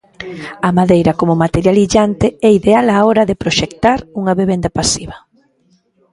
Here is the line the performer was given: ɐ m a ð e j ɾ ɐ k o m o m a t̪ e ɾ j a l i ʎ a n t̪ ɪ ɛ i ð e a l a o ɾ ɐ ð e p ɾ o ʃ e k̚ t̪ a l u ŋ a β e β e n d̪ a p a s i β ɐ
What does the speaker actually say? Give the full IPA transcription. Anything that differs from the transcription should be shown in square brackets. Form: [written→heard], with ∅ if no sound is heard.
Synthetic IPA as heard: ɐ m a ð e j ɾ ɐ k o m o m a t̪ e ɾ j a l i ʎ a n t̪ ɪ ɛ i ð e a l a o ɾ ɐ ð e p ɾ o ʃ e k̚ t̪ a [l→ɾ] u ŋ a β e β e n d̪ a p a s i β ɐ